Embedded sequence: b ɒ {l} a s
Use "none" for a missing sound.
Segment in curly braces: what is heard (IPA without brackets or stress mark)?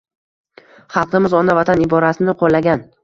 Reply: ɾ